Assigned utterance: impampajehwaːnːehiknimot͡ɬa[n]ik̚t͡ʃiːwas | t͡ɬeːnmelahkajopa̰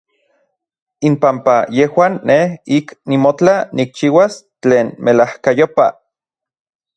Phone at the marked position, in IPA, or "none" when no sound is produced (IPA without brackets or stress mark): n